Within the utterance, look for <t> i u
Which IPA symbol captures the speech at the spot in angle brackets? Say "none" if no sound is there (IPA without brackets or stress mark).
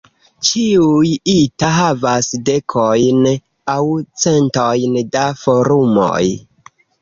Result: t͡ʃ